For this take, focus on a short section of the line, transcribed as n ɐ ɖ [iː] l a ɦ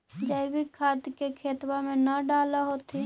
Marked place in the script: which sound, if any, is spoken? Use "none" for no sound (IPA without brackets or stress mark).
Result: aː